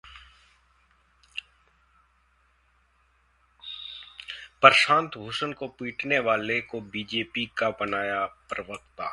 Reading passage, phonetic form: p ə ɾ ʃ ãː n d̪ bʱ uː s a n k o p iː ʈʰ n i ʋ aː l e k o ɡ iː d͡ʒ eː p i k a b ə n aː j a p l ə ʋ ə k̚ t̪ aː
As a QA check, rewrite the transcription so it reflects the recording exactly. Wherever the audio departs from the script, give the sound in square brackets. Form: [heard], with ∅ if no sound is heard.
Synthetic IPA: p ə ɾ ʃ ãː n [t̪] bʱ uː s [ə] n k o p iː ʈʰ n [e] ʋ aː l e k o [b] iː d͡ʒ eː p i k a b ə n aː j a p [ɾ] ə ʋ ə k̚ t̪ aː